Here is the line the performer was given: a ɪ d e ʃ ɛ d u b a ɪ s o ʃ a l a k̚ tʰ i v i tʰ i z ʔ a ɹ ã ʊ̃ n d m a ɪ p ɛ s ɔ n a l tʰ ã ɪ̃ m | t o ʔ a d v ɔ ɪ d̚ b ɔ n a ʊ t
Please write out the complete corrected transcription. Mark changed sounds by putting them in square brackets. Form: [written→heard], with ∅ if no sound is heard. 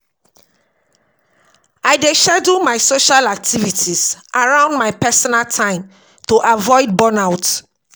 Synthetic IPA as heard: a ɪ d e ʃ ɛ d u [b→m] a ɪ s o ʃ a l a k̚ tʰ i v i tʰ i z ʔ a ɹ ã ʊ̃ n d m a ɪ p ɛ s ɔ n a l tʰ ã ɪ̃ m | t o ʔ a [d→∅] v ɔ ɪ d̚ b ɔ n a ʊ t

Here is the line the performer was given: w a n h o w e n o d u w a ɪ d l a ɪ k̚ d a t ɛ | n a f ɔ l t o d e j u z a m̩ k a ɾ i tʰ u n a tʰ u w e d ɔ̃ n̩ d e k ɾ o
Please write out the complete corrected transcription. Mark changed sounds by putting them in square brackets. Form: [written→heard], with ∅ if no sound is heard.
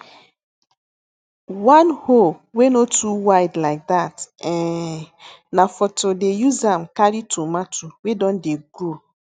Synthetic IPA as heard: w a n h o w e n o [d→t] u w a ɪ d l a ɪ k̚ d a t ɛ | n a f ɔ [l→∅] t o d e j u z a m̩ k a ɾ i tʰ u [n→m] a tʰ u w e d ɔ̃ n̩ d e [k→ɡ] ɾ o

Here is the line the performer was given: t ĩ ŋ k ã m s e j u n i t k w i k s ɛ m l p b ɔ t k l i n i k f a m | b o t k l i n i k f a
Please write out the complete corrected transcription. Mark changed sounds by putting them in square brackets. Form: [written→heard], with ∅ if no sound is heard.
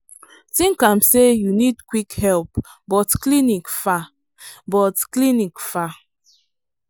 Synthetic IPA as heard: t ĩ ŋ k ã m s e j u n i [t→d] k w i k [s→h] ɛ [m→∅] l p b ɔ t k l i n i k f a [m→∅] | b [o→ɔ] t k l i n i k f a

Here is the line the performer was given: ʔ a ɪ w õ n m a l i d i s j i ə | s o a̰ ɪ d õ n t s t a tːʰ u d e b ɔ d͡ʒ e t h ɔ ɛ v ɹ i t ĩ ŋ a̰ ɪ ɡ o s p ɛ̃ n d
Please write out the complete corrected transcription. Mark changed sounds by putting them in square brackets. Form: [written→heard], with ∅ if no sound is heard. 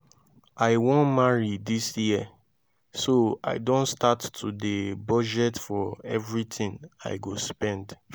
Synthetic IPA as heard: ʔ a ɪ w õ n m a [l→ɹ] i d i s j i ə | s o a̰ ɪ d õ n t s t a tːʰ u d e b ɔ d͡ʒ [e→ɛ] t [h→f] ɔ ɛ v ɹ i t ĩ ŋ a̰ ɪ ɡ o s p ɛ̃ n d

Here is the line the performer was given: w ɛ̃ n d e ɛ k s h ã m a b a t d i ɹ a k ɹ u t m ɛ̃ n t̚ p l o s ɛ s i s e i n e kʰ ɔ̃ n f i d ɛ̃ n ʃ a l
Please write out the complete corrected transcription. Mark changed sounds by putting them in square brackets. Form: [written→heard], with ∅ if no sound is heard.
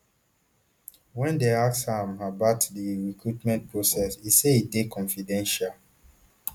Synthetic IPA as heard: w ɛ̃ n d e [ɛ→a] k s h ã m a b a t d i ɹ [a→i] k ɹ u t m ɛ̃ n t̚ p [l→ɹ] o s ɛ s i s e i [n→d] e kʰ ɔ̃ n f i d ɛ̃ n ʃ a l

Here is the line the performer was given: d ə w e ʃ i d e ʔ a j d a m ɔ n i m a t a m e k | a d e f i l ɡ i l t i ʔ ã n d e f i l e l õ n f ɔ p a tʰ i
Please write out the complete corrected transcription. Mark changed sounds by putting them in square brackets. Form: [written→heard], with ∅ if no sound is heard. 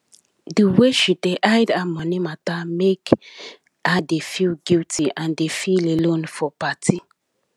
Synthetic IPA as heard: d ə w e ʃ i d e ʔ a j d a m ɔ n i m a t a m e k | a d e f i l ɡ i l t i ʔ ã n d e f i l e l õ n f ɔ p a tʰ i

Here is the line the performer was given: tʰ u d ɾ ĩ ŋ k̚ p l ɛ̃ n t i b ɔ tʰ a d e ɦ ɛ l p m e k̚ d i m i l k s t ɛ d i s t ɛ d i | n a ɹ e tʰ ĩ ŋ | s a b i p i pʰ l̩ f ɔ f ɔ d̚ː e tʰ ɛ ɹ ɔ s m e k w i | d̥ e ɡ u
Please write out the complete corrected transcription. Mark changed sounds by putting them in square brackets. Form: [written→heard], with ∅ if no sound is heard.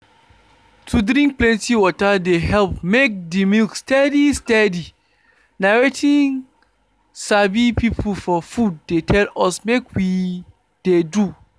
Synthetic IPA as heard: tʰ u d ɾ ĩ ŋ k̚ p l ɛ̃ n t i [b→w] ɔ [tʰ→t] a d e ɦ ɛ l p m e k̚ d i m i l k s t ɛ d i s t ɛ d i | n a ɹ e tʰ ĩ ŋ | s a b i p i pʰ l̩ f ɔ f [ɔ→u] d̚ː e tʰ ɛ [ɹ→l] ɔ s m e k w i | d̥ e [ɡ→d] u

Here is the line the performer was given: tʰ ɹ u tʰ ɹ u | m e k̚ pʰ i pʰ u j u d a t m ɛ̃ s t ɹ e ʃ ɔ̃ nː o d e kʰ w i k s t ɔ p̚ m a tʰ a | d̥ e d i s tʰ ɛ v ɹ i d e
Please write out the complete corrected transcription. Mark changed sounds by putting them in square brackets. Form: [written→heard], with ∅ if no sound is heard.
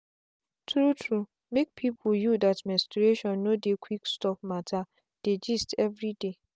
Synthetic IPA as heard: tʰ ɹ u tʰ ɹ u | m e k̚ pʰ i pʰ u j u d a t m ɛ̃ s t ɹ e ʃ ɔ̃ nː o d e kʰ w i k s t ɔ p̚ m a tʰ a | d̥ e [d→d͡ʒ] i s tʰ ɛ v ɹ i d e

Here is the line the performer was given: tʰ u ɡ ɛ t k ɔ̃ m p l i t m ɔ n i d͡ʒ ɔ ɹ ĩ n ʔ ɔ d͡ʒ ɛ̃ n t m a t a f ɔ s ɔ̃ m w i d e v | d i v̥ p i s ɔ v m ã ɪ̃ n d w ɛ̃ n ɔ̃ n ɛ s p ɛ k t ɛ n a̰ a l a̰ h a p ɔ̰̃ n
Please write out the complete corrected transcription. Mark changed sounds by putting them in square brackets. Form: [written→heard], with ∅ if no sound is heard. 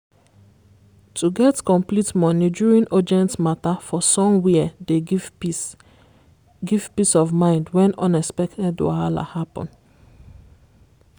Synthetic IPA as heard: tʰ u ɡ ɛ t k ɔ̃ m p l i t m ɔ n i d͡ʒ [ɔ→u] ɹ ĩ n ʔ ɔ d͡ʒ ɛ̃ n t m a t a f ɔ s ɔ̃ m w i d e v | [d→ɡ] i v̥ p i s ɔ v m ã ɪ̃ n d w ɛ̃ n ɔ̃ n ɛ s p ɛ k t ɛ [n→d] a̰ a l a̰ h a p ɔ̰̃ n

